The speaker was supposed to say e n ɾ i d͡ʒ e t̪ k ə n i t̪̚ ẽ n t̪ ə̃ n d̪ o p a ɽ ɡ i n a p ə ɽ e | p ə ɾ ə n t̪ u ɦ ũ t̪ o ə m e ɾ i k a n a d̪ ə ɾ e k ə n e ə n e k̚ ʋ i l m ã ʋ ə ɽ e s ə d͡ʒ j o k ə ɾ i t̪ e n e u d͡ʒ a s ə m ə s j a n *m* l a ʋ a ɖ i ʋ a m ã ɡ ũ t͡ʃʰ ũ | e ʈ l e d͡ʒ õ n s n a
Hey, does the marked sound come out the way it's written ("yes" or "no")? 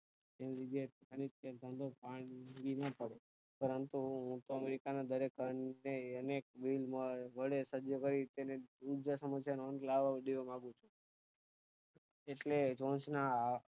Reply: no